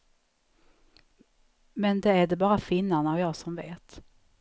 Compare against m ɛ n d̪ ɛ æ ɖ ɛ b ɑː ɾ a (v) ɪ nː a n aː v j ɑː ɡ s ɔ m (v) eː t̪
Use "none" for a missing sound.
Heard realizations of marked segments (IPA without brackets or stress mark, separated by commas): f, v